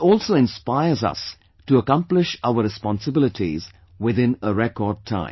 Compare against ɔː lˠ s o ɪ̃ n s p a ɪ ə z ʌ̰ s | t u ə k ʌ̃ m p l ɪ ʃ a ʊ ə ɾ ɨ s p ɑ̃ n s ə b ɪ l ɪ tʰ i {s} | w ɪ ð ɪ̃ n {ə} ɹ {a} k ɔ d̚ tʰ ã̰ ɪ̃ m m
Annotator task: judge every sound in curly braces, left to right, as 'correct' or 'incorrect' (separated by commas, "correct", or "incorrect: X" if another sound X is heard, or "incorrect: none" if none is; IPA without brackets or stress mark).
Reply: incorrect: z, correct, incorrect: ɛ